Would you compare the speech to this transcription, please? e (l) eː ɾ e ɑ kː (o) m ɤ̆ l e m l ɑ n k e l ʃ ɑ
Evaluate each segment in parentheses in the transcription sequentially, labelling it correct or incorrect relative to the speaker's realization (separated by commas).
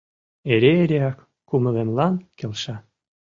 incorrect, incorrect